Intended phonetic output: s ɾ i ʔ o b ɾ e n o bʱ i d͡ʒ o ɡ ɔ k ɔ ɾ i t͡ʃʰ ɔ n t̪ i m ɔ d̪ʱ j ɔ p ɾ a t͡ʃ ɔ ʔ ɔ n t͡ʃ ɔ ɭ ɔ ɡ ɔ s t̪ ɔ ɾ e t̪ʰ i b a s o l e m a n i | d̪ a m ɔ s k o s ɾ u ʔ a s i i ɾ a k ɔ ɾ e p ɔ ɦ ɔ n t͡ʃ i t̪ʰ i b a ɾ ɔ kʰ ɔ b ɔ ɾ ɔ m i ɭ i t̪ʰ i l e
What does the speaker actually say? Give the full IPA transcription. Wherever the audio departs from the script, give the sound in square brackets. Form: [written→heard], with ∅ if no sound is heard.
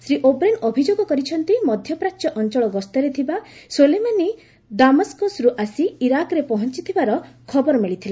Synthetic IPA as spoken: s ɾ i ʔ o b ɾ e n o bʱ i d͡ʒ o ɡ ɔ k ɔ ɾ i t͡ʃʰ ɔ n t̪ i m ɔ d̪ʱ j ɔ p ɾ a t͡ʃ ɔ ʔ ɔ n t͡ʃ ɔ ɭ ɔ ɡ ɔ s t̪ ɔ ɾ e t̪ʰ i b a s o l e m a n i | d̪ a m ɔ s k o s ɾ u ʔ a s i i ɾ a k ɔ ɾ e p ɔ ɦ ɔ n t͡ʃ i t̪ʰ i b a ɾ ɔ kʰ ɔ b ɔ ɾ ɔ m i ɭ i t̪ʰ i l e

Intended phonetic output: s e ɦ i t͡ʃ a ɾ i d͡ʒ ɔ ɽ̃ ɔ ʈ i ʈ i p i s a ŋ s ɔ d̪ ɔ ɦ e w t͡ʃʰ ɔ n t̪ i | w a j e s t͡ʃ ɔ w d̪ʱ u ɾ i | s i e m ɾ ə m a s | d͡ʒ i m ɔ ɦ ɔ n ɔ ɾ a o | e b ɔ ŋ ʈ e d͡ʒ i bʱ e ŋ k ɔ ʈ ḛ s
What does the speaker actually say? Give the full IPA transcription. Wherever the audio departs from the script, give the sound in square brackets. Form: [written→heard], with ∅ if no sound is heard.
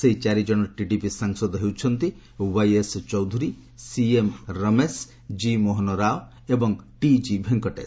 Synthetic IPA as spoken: s e ɦ i t͡ʃ a ɾ i d͡ʒ ɔ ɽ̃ ɔ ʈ i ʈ i p i s a ŋ s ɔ d̪ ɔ ɦ e w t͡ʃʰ ɔ n t̪ i | w a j e s t͡ʃ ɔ w d̪ʱ u ɾ i | s i e m ɾ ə m [a→e] s | d͡ʒ i m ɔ ɦ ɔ n ɔ ɾ a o | e b ɔ ŋ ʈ [e→i] d͡ʒ i bʱ e ŋ k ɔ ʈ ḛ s

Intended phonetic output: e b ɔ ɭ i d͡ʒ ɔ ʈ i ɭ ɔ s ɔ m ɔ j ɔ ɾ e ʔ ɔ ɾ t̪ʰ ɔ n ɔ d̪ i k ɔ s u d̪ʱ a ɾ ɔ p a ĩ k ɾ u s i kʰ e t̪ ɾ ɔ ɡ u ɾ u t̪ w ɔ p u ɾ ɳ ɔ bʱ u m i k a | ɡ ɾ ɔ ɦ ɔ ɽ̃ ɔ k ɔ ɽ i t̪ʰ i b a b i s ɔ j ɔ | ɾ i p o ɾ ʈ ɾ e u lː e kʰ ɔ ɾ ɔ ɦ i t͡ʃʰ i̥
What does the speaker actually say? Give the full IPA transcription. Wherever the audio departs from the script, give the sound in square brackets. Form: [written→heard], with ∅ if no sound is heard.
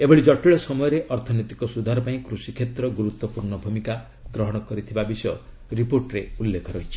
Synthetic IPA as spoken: e b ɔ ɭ i d͡ʒ ɔ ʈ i ɭ ɔ s ɔ m ɔ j ɔ ɾ e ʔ ɔ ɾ t̪ʰ ɔ n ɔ [d̪→t̪] i k ɔ s u d̪ʱ a ɾ ɔ p a ĩ k ɾ u s i kʰ e t̪ ɾ ɔ ɡ u ɾ u t̪ w ɔ p u ɾ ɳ ɔ bʱ u m i k a | ɡ ɾ ɔ ɦ ɔ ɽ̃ ɔ k ɔ [ɽ→ɾ] i t̪ʰ i b a b i s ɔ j ɔ | ɾ i p o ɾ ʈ ɾ e u lː e kʰ ɔ ɾ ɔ ɦ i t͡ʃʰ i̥

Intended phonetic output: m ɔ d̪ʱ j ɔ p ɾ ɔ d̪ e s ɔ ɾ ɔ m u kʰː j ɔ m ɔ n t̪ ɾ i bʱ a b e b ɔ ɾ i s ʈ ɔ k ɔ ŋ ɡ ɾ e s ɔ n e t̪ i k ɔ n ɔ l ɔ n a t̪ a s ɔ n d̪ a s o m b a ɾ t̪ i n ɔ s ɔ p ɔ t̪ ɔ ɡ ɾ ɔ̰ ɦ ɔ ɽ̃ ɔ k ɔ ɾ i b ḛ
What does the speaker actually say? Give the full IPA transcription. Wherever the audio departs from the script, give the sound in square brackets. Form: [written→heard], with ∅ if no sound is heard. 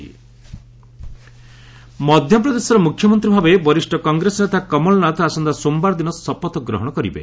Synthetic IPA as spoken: m ɔ d̪ʱ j ɔ p ɾ ɔ d̪ e s ɔ ɾ ɔ m u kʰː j ɔ m ɔ n t̪ ɾ i bʱ a b e b ɔ ɾ i s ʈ ɔ k ɔ ŋ ɡ ɾ e s ɔ n e t̪ [i→a] k ɔ [n→m] ɔ l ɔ n a t̪ a s ɔ n d̪ a s o m b a ɾ [t̪→d̪] i n ɔ s ɔ p ɔ t̪ ɔ ɡ ɾ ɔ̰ ɦ ɔ ɽ̃ ɔ k ɔ ɾ i b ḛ

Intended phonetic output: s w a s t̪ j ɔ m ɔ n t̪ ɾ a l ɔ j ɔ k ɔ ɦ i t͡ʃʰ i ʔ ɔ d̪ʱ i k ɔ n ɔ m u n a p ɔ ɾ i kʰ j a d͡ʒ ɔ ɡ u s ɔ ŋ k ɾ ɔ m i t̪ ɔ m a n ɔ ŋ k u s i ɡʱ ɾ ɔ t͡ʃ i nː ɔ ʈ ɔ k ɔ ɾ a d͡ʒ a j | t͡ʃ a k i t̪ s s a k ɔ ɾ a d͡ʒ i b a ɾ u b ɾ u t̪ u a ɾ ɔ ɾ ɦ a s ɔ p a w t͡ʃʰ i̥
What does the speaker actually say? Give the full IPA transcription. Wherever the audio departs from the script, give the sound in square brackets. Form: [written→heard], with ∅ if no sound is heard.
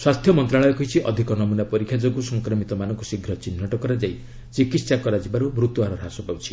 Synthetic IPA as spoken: s w a s [t̪→t̪ʰ] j ɔ m ɔ n t̪ ɾ a [l→ɭ] ɔ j ɔ k ɔ ɦ i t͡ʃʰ i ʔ ɔ d̪ʱ i k ɔ n ɔ m u n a p ɔ ɾ i kʰ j a d͡ʒ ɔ ɡ u s ɔ ŋ k ɾ ɔ m i t̪ ɔ m a n ɔ ŋ k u s i ɡʱ ɾ ɔ t͡ʃ i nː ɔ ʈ ɔ k ɔ ɾ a d͡ʒ a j | t͡ʃ [a→i] k i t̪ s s a k ɔ ɾ a d͡ʒ i b a ɾ u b ɾ u t̪ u a ɾ ɔ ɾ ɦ a s ɔ p a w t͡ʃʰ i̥

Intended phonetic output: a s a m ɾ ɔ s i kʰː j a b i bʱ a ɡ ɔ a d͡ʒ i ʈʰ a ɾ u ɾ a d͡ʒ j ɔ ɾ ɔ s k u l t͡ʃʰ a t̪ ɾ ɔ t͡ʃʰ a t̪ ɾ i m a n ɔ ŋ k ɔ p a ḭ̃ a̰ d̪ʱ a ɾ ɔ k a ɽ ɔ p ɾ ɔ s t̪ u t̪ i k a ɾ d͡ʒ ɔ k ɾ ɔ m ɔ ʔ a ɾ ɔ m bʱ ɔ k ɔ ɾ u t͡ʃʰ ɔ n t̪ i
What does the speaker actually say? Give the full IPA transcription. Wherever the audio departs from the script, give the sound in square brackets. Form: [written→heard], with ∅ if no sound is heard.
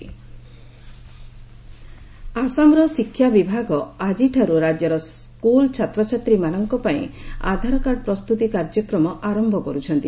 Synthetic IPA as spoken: a s a m ɾ ɔ s i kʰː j a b i bʱ a ɡ ɔ a d͡ʒ i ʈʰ a ɾ u ɾ a d͡ʒ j ɔ ɾ ɔ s k u l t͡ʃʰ a t̪ ɾ ɔ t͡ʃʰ a t̪ ɾ i m a n ɔ ŋ k ɔ p a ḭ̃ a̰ d̪ʱ a ɾ ɔ k a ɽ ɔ p ɾ ɔ s t̪ u t̪ i k a ɾ d͡ʒ ɔ k ɾ ɔ m ɔ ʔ a ɾ ɔ m bʱ ɔ k ɔ ɾ u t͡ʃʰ ɔ n t̪ i

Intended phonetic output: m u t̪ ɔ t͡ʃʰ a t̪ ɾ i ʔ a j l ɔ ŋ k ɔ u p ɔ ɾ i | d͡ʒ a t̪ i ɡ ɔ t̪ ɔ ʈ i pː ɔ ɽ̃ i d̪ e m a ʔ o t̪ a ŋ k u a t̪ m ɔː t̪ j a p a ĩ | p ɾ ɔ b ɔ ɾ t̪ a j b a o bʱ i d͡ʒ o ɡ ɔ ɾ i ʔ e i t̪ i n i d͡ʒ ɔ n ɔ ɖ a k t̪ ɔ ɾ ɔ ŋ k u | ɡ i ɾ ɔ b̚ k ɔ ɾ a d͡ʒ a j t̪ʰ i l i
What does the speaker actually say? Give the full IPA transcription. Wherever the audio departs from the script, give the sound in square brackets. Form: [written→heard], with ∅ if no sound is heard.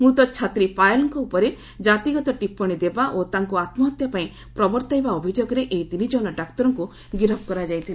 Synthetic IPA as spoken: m u t̪ ɔ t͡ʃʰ a t̪ ɾ i [ʔ→p] a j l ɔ ŋ k ɔ u p ɔ ɾ [i→e] | d͡ʒ a t̪ i ɡ ɔ t̪ ɔ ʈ i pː ɔ ɽ̃ i d̪ e [m→b] a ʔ o t̪ a ŋ k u a t̪ m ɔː t̪ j a p a ĩ | p ɾ ɔ b ɔ ɾ t̪ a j b a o bʱ i d͡ʒ o ɡ ɔ ɾ [i→e] ʔ e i t̪ i n i d͡ʒ ɔ n ɔ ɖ a k t̪ ɔ ɾ ɔ ŋ k u | ɡ i ɾ ɔ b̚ k ɔ ɾ a d͡ʒ a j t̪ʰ i l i

